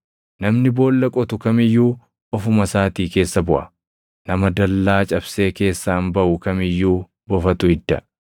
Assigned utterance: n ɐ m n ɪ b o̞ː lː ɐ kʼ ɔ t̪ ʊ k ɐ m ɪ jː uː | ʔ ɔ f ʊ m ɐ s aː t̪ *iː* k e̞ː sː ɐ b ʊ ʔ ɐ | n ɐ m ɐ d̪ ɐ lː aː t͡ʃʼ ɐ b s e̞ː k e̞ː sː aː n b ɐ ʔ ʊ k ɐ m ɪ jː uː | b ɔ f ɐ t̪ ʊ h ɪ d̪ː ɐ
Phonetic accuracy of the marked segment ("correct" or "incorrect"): correct